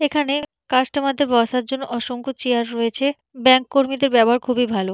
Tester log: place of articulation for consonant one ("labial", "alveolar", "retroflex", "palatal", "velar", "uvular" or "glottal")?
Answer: velar